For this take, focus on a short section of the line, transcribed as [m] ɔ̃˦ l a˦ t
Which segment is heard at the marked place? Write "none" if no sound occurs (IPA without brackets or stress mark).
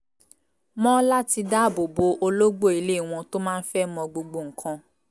m